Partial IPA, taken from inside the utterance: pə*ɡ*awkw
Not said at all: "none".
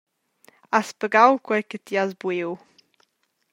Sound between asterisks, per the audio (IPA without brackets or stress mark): ɡ